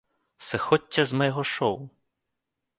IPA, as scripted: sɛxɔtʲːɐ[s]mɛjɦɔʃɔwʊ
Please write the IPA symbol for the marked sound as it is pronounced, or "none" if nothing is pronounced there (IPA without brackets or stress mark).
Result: z